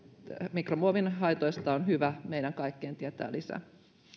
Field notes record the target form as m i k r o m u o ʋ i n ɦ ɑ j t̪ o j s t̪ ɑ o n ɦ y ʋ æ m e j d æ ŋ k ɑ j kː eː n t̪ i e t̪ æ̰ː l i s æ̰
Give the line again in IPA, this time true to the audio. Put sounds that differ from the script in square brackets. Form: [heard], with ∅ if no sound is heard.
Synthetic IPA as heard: m i k r o m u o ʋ i n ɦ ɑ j t̪ o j s t̪ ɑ o n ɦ y ʋ æ m e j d æ ŋ k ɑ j kː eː n t̪ i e t̪ æ̰ː l i s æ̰